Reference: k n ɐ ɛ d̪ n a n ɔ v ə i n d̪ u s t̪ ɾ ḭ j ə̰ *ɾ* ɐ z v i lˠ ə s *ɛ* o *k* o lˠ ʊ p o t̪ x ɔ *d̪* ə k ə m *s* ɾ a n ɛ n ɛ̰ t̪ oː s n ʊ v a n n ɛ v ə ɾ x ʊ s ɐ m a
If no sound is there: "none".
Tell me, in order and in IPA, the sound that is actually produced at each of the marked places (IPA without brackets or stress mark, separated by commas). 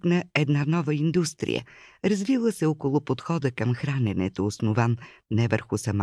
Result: ɾ, ɛ, k, d̪, x